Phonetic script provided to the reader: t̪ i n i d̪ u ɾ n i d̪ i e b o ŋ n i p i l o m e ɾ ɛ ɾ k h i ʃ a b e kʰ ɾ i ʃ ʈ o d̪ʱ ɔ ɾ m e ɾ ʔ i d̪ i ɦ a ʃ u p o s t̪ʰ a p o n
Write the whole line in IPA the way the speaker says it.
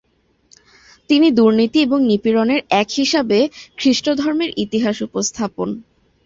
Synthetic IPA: t̪ i n i d̪ u ɾ n i t̪ i e b o ŋ n i p i ɾ o n e ɾ ɛ k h i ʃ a b e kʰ ɾ i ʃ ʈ o d̪ʱ ɔ ɾ m e ɾ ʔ i t̪ i ɦ a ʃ u p o s t̪ʰ a p o n